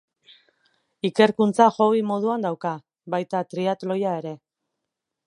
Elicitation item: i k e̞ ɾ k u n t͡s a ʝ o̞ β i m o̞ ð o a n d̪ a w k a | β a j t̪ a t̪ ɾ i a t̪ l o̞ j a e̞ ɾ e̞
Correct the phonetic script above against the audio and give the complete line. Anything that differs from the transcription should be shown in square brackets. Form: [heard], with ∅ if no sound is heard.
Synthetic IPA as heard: i k e̞ ɾ k u n t͡s a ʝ o̞ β i m o̞ ð [u] a n d̪ a w k a | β a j t̪ a t̪ ɾ i a t̪ l o̞ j a e̞ ɾ e̞